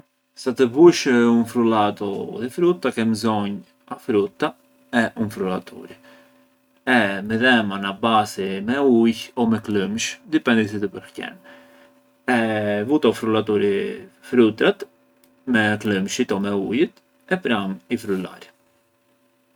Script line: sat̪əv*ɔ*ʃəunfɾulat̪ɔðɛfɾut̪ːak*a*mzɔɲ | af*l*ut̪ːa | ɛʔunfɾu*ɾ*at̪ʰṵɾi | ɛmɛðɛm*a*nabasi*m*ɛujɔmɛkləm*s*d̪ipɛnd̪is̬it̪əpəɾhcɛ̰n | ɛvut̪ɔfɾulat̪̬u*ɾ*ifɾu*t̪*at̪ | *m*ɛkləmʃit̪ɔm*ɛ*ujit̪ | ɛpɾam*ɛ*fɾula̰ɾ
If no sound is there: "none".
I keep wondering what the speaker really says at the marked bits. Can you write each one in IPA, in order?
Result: u, ɛ, ɾ, l, a, m, ʃ, ɾ, t̪, m, ɛ, i

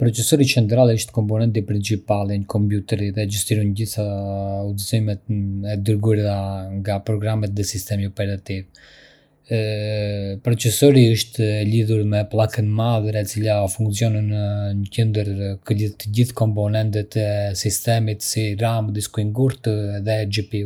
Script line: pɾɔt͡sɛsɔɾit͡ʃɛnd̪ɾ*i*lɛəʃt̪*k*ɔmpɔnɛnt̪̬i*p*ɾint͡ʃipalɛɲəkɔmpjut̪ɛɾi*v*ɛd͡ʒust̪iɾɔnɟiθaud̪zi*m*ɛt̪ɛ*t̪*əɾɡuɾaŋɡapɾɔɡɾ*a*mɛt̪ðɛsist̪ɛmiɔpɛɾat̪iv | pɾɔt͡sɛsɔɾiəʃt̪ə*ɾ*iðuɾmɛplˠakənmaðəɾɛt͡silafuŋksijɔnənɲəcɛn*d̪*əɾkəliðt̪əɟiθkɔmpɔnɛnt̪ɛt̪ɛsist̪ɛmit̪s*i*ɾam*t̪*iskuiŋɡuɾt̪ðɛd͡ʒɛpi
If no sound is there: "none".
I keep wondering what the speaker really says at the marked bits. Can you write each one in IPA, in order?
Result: a, k, p, ð, m, d̪, a, l, d̪, i, d̪

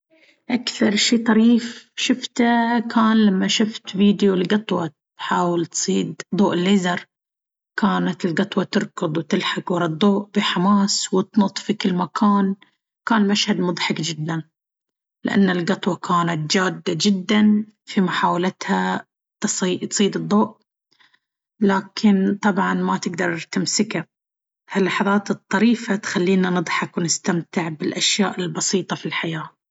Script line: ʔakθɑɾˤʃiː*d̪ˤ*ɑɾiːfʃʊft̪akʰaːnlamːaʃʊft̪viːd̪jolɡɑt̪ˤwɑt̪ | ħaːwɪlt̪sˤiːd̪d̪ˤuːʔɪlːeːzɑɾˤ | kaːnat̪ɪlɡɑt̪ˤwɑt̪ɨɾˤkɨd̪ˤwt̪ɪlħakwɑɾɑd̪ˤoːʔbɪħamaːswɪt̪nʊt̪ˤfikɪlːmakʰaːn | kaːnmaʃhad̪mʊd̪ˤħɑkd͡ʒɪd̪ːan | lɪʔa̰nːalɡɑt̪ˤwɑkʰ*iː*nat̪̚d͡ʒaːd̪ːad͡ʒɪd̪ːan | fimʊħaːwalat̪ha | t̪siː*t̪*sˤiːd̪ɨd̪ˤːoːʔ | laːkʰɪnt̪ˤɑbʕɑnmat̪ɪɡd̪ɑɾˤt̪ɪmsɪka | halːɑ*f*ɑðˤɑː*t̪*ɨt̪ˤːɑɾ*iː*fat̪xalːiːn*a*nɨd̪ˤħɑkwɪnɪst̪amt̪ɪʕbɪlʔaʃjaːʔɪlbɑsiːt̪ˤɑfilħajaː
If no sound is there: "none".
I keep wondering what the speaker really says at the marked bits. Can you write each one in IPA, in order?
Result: t̪ˤ, aː, t̪, ħ, t̪, iː, a

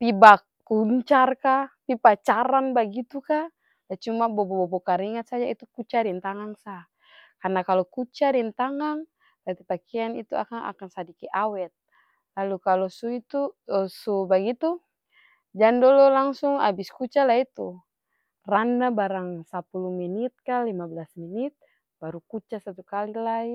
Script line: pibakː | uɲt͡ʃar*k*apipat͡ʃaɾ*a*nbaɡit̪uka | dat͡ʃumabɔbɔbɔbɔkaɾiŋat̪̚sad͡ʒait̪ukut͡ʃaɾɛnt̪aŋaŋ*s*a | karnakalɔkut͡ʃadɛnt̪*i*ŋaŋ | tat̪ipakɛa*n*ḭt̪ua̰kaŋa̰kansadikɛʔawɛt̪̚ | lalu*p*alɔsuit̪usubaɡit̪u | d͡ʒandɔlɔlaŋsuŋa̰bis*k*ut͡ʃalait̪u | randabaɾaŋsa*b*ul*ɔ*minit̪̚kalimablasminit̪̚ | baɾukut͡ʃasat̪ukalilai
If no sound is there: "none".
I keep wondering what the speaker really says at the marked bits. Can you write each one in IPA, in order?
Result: k, a, s, a, n, k, k, p, u

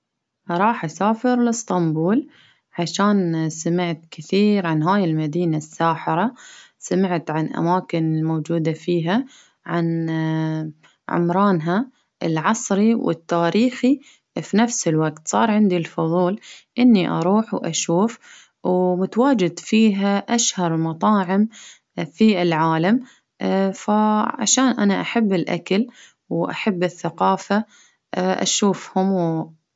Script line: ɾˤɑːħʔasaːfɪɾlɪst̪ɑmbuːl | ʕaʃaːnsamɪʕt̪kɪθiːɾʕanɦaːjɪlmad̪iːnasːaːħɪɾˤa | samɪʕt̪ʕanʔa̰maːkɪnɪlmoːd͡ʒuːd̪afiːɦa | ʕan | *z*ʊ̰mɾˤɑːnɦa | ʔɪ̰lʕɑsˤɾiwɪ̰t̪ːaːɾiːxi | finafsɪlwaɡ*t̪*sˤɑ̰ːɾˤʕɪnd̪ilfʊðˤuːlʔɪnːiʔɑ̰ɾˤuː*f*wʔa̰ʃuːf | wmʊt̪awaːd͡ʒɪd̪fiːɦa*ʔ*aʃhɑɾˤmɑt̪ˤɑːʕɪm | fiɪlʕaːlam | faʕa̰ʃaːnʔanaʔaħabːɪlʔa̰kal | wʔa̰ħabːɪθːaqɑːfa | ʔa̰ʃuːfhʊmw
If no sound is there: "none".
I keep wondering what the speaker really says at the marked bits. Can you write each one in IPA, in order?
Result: ʕ, t̪, ħ, ʔ

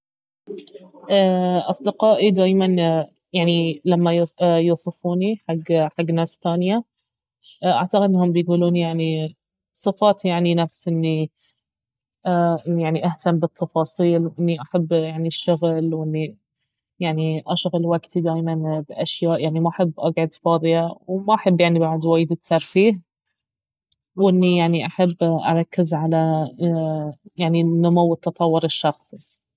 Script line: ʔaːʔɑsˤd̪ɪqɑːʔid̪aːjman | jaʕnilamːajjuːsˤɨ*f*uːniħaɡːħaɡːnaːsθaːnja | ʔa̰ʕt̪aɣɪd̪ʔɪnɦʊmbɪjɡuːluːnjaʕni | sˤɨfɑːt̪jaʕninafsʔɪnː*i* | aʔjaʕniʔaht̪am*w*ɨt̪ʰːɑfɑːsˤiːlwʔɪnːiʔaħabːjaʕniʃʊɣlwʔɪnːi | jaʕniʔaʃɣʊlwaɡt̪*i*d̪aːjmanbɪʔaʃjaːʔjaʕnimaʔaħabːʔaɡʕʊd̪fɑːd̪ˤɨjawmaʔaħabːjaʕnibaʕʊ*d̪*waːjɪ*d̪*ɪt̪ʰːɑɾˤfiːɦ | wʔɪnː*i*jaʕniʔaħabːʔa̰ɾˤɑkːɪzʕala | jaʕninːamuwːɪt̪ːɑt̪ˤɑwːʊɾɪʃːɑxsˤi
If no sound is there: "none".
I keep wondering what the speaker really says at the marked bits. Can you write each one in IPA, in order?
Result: f, i, b, i, d̪, d̪, i

